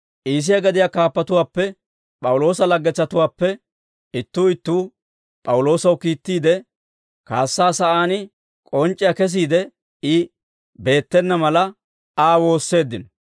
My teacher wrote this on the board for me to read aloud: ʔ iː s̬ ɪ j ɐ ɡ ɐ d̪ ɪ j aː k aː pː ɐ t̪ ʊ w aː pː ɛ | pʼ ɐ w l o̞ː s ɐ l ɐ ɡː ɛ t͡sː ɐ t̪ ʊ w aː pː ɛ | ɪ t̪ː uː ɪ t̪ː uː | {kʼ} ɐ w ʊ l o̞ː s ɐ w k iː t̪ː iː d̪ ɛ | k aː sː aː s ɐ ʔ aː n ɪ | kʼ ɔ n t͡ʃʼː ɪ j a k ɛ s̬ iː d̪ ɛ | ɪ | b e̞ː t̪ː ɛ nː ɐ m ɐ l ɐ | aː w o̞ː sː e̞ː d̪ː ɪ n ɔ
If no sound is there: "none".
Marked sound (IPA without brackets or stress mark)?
pʼ